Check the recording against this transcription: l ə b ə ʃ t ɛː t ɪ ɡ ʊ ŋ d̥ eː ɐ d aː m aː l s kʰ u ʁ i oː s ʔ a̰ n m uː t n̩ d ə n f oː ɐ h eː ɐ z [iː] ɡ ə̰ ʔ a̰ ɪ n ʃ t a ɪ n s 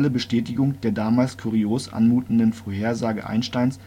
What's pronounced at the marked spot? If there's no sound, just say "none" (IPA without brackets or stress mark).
aː